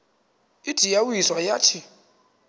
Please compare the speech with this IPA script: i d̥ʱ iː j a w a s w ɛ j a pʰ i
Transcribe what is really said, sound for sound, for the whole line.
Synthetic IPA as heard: i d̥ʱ i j a w i s w a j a tʰ i